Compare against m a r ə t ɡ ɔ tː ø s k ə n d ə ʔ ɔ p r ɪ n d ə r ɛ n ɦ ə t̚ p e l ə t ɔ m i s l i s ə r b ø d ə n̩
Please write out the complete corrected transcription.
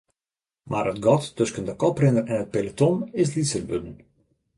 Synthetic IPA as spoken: m a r ə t ɡ ɔ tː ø s k ə n d ə k ɔ p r ɪ n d ə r ɛ n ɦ ə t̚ p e l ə t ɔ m ɪ s l i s ə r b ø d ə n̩